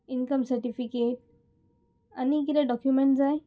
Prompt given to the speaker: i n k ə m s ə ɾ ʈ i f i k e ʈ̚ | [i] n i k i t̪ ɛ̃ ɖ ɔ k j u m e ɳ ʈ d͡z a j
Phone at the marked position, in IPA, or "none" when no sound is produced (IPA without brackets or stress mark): a